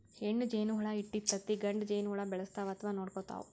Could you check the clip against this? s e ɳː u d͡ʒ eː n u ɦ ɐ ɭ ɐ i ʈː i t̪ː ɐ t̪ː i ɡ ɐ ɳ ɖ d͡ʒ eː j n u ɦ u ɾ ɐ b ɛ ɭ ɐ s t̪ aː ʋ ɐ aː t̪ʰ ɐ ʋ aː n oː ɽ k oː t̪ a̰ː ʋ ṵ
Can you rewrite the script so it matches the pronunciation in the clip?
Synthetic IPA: h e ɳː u d͡ʒ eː n u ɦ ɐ ɭ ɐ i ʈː i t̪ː ɐ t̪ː i ɡ ɐ ɳ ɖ d͡ʒ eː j n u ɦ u ɭ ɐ b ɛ ɭ ɐ s t̪ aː ʋ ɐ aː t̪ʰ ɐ ʋ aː n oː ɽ k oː t̪ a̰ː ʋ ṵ

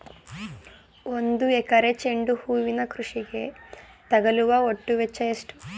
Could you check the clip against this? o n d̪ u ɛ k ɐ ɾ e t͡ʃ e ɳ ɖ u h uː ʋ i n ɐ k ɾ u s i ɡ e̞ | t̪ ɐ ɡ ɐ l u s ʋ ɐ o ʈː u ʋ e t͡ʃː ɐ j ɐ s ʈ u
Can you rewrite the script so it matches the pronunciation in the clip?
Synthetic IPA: o n d̪ u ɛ k ɐ ɾ e t͡ʃ e ɳ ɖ u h uː ʋ i n ɐ k ɾ u ʂ i ɡ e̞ | t̪ ɐ ɡ ɐ l u ʋ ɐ o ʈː u ʋ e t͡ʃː ɐ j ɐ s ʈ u

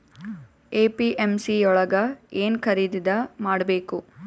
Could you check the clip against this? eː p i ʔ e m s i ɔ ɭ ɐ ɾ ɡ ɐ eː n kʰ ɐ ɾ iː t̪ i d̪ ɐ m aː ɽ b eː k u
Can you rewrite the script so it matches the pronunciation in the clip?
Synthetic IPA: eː p i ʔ e m s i ɔ ɭ ɐ ɡ ɐ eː n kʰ ɐ ɾ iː d̪ i d̪ ɐ m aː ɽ b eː k u

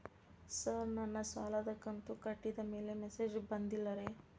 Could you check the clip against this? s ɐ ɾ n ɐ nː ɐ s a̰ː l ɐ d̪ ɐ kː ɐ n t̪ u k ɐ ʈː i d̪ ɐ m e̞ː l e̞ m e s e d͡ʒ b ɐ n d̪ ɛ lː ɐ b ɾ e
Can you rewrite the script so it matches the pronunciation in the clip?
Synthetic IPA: s ɐ ɾ n ɐ nː ɐ s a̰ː l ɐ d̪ ɐ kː ɐ n t̪ u k ɐ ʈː i d̪ ɐ m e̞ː l e̞ m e s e d͡ʒ b ɐ n d̪ i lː ɐ ɾ e

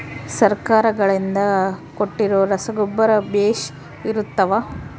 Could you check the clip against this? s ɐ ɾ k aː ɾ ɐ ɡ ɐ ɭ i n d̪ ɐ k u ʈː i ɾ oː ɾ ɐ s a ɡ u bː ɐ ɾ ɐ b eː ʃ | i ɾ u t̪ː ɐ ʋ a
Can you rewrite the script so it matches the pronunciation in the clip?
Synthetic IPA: s ɐ ɾ k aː ɾ ɐ ɡ ɐ ɭ i n d̪ ɐ k o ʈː i ɾ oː ɾ ɐ s ɐ ɡ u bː ɐ ɾ ɐ b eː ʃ | i ɾ u t̪ː ɐ ʋ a

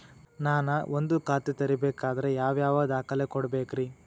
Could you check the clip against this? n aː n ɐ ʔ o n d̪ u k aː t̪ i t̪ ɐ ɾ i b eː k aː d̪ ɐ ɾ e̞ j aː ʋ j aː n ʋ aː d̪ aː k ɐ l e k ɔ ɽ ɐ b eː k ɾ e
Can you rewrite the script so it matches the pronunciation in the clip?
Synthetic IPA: n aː n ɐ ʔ o n d̪ u k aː t̪ i t̪ ɐ ɾ i b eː k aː d̪ ɐ ɾ e̞ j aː ʋ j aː ʋ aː d̪ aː k ɐ l e k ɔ ɽ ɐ b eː k ɾ i

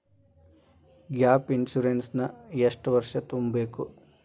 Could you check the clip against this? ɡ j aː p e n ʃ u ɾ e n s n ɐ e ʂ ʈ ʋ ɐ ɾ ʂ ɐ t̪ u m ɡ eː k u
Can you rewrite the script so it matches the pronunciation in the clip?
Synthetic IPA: ɡ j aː p i n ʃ u ɾ e n s n ɐ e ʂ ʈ ʋ ɐ ɾ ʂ ɐ t̪ u m b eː k u

